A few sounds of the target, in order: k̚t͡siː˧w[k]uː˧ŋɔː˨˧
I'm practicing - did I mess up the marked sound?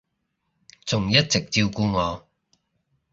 no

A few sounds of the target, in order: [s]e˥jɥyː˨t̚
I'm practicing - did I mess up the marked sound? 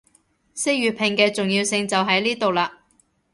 no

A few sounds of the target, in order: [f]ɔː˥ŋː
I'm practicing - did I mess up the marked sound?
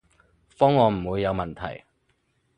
no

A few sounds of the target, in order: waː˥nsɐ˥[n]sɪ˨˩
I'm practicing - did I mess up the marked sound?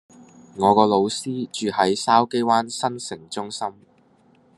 no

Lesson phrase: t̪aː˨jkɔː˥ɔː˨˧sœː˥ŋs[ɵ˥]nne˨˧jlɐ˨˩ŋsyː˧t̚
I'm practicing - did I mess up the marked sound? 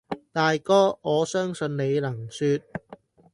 yes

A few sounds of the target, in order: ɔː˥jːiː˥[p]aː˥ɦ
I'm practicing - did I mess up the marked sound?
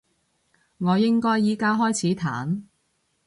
yes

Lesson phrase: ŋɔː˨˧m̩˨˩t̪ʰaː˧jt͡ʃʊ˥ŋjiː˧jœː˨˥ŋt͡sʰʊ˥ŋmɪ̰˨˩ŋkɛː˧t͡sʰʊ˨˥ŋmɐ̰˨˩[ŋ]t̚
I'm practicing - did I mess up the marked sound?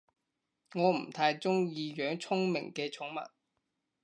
yes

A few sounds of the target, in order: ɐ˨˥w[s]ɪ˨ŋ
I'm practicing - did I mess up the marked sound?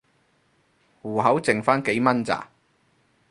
yes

